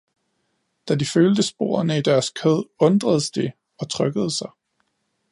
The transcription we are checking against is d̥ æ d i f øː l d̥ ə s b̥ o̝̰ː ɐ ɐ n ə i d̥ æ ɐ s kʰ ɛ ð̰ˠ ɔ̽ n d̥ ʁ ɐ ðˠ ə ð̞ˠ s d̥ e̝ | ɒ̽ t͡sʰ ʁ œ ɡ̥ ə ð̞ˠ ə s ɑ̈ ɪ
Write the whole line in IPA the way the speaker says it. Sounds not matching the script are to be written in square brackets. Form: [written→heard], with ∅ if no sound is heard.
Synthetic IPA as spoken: d̥ æ d i f øː l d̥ ə s b̥ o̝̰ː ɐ ɐ n ə i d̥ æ ɐ s kʰ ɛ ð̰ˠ ɔ̽ n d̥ ʁ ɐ ðˠ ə [ð̞ˠ→∅] s d̥ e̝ | ɒ̽ t͡sʰ ʁ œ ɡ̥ ə ð̞ˠ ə s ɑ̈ ɪ